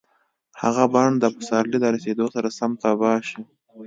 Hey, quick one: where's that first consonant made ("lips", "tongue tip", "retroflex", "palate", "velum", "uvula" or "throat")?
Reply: throat